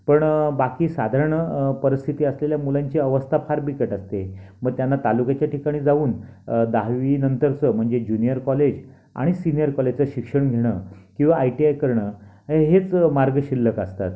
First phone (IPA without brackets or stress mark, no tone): p